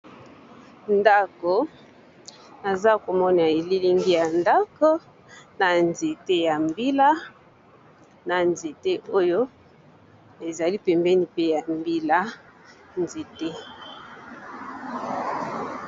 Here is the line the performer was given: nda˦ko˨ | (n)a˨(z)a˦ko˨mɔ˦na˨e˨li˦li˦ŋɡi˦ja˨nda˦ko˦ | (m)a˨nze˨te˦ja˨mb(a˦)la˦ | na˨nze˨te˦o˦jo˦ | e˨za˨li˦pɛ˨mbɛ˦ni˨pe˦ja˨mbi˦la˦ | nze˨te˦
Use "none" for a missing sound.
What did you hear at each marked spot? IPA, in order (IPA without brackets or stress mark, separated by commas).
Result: n, z, n, i˦